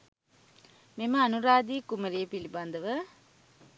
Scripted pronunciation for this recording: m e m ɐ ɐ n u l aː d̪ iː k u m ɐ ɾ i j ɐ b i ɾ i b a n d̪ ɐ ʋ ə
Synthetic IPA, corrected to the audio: m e m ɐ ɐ n u ɾ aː d̪ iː k u m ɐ ɾ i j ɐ p i l i b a n d̪ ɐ ʋ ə